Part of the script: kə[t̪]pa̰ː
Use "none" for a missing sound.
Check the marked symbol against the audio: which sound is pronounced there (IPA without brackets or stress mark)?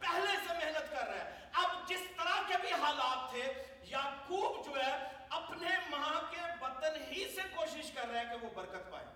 t̪